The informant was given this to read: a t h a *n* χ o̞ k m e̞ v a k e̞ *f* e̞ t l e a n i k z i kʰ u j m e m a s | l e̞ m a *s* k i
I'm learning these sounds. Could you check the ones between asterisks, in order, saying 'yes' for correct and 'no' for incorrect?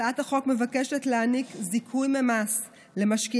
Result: no, no, no

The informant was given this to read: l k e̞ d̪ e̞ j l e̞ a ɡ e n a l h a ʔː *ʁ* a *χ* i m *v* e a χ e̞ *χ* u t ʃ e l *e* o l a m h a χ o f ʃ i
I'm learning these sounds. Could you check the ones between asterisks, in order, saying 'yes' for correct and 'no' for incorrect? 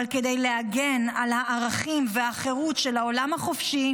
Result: yes, yes, yes, no, no

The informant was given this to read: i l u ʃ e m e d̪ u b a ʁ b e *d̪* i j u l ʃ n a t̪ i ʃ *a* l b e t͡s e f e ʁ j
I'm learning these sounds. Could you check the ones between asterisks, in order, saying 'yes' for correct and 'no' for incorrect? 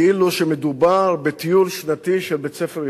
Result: no, no

